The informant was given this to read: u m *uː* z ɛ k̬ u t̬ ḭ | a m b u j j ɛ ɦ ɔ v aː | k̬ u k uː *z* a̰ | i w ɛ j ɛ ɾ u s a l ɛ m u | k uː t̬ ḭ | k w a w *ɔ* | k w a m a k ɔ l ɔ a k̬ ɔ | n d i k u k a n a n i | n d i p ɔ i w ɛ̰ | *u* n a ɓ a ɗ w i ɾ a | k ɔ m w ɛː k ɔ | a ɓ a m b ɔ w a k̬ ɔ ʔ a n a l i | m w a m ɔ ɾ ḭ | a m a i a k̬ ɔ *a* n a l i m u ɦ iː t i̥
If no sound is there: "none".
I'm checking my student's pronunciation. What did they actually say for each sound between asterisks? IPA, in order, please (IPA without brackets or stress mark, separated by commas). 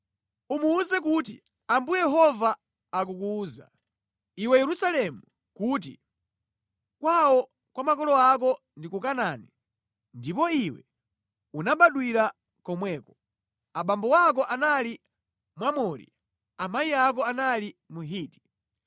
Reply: uː, z, ɔ, u, a